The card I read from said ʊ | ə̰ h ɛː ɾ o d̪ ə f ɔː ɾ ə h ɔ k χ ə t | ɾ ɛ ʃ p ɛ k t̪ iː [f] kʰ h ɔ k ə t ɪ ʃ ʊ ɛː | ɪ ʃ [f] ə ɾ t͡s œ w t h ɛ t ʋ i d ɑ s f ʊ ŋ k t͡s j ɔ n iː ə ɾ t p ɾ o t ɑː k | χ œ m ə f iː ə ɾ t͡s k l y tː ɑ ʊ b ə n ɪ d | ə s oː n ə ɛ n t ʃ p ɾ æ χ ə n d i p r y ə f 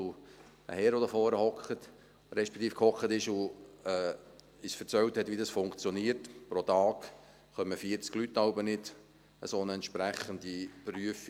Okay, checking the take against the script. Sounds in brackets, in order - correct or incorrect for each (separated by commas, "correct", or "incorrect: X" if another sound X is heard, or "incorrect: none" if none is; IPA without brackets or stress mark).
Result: correct, correct